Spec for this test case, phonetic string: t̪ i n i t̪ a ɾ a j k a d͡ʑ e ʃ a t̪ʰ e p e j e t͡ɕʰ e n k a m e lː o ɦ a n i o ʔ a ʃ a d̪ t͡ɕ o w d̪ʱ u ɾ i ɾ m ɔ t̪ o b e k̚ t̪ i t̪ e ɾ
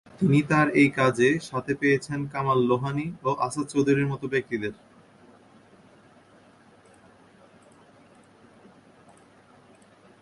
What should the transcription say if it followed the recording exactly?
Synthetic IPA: t̪ i n i t̪ a ɾ e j k a d͡ʑ e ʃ a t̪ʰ e p e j e t͡ɕʰ e n k a m a lː o ɦ a n i o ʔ a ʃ a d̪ t͡ɕ o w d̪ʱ u ɾ i ɾ m ɔ t̪ o b e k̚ t̪ i d̪ e ɾ